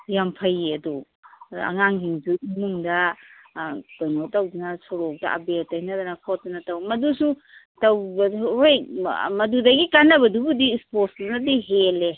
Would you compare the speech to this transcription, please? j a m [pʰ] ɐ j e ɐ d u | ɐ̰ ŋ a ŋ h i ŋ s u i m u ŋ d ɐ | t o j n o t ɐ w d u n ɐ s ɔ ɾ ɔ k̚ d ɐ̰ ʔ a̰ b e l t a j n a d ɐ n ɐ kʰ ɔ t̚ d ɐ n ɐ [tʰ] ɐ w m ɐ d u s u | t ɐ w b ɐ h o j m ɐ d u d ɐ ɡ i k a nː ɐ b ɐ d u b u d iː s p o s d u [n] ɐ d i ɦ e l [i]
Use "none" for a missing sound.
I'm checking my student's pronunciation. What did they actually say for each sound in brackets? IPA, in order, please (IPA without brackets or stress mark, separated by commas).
pʰ, t, n, e